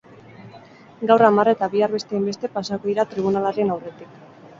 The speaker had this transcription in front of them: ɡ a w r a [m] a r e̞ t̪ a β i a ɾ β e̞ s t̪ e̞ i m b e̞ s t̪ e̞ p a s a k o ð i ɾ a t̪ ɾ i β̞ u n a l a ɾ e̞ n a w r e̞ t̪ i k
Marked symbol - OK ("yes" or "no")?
yes